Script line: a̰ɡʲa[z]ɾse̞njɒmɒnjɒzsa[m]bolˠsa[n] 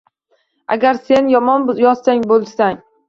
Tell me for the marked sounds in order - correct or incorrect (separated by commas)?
incorrect, incorrect, incorrect